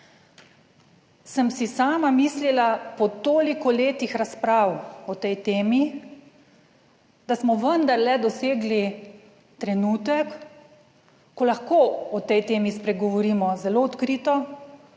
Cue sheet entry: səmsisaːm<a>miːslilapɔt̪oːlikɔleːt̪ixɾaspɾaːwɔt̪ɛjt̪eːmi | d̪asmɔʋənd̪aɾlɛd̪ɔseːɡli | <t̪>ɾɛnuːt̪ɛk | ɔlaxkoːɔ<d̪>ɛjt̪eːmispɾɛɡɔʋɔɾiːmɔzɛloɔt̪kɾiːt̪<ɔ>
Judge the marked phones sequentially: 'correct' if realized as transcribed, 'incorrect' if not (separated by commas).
correct, correct, incorrect, correct